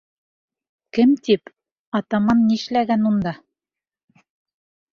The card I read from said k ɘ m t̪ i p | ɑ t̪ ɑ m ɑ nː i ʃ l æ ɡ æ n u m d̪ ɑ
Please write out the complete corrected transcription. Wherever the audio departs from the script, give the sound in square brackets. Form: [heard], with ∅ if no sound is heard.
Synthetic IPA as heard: k ɘ m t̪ i p | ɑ t̪ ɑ m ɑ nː i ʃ l æ ɡ æ n u [n] d̪ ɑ